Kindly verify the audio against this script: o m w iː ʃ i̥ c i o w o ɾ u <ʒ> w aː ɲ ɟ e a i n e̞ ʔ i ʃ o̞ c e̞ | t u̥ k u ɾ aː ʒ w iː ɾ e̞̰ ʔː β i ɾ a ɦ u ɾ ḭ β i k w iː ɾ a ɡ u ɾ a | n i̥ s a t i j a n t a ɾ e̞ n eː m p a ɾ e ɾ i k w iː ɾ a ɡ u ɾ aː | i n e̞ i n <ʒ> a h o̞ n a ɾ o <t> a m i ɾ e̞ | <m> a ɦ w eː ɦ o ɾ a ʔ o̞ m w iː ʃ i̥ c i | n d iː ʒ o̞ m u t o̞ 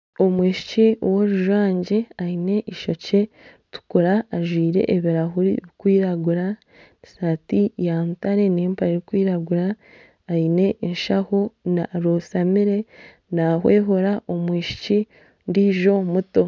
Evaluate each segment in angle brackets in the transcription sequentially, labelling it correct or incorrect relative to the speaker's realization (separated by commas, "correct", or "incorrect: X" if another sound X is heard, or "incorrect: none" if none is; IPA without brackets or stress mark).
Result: correct, incorrect: ʃ, incorrect: s, incorrect: n